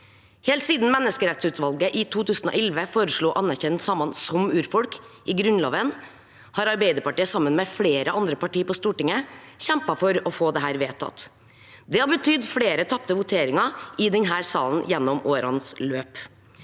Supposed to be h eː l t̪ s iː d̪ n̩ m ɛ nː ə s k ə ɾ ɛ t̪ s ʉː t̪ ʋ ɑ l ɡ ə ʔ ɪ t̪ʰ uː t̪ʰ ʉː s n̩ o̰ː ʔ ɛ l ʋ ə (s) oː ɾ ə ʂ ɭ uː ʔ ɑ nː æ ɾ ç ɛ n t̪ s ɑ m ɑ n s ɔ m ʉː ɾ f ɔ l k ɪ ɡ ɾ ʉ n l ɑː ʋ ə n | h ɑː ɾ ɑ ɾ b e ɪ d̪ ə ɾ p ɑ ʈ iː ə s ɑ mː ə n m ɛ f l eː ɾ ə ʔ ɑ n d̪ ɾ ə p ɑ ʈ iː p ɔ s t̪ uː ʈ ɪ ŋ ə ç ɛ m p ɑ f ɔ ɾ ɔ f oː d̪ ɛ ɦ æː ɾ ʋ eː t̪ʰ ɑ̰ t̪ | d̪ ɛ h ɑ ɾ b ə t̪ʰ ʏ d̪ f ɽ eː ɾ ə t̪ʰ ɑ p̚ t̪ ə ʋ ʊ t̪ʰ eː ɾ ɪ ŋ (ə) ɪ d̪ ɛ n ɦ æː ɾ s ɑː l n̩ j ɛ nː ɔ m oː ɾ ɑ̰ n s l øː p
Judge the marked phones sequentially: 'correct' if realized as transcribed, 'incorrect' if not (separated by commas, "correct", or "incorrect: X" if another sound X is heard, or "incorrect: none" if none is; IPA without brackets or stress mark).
incorrect: f, incorrect: ɑ